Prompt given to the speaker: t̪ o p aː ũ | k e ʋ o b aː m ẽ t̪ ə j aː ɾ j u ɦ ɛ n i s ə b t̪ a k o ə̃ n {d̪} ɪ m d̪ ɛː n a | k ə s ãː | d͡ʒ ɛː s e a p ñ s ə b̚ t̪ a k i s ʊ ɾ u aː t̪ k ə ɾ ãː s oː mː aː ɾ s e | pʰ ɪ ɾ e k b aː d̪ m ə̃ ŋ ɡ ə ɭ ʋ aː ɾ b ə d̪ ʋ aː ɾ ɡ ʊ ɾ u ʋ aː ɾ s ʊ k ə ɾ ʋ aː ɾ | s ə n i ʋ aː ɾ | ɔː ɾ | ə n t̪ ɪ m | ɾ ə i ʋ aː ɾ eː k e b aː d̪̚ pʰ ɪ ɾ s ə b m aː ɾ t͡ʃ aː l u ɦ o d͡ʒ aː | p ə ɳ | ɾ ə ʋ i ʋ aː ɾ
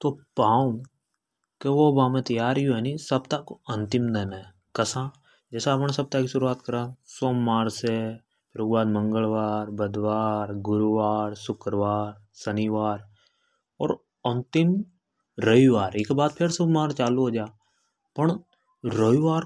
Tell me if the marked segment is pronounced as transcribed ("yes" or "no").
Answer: no